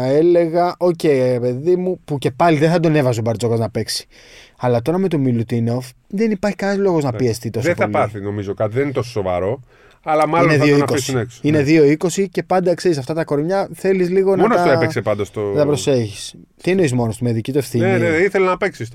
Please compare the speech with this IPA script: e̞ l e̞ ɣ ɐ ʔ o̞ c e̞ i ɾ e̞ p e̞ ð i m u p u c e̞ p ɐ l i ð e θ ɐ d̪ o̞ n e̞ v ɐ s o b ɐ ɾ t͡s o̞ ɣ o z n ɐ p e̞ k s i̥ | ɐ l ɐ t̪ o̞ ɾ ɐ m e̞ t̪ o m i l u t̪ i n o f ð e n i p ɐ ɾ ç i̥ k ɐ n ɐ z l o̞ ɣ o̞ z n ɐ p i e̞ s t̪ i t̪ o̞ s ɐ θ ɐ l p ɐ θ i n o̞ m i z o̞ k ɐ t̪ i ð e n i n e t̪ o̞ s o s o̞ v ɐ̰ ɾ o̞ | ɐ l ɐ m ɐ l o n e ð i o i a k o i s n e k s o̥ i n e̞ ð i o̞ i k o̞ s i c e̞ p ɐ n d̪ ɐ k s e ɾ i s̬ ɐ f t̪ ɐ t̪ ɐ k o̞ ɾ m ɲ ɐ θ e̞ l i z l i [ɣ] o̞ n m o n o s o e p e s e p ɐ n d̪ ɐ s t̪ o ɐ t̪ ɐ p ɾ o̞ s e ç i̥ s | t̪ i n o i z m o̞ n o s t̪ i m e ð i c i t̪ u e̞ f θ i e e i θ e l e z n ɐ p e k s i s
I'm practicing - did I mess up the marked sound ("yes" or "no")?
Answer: no